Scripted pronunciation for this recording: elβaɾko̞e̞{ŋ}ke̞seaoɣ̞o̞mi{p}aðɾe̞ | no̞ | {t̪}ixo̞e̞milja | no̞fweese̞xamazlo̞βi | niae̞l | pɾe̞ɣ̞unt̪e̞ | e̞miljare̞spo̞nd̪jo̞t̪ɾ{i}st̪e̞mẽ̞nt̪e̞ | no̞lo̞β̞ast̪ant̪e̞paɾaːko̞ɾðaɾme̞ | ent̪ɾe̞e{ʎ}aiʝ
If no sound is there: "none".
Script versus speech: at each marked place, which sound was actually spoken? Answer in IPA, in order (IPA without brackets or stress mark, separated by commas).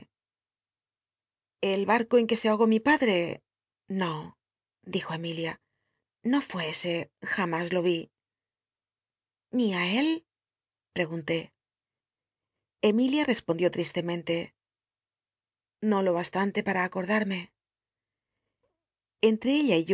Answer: ŋ, p, d̪, i, ʎ